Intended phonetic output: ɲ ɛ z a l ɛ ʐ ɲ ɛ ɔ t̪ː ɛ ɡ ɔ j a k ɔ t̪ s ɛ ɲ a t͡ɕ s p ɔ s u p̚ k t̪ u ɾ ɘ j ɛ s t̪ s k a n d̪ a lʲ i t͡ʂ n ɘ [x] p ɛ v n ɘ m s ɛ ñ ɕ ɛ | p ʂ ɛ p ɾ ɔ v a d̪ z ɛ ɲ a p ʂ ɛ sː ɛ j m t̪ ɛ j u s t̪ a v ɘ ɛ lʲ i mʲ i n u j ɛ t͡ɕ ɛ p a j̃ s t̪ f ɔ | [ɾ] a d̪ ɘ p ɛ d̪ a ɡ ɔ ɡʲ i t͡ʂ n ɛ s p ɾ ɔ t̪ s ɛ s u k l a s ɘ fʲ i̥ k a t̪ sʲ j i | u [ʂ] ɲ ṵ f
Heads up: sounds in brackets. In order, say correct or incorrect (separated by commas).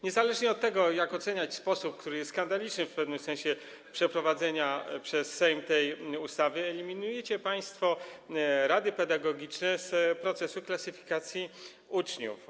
incorrect, correct, incorrect